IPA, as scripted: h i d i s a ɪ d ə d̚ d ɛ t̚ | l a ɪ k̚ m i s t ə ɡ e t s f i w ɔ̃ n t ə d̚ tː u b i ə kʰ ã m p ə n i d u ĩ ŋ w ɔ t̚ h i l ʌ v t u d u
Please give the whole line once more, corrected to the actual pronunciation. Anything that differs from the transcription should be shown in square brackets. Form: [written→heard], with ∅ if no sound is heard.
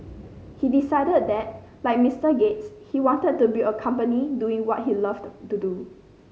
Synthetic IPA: h i d i s a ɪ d ə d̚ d ɛ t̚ | l a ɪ k̚ m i s t ə ɡ e t s [f→h] i w ɔ̃ n t ə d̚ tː u b i ə kʰ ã m p ə n i d u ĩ ŋ w ɔ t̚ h i l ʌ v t u d u